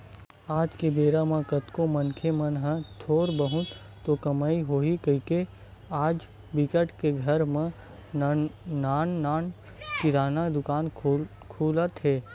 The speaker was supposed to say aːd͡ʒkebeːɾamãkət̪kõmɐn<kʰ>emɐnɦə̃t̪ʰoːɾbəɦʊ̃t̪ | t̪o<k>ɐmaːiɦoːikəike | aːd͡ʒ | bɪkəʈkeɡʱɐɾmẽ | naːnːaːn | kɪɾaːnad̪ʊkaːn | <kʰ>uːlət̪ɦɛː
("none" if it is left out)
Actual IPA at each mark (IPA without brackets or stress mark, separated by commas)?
kʰ, k, kʰ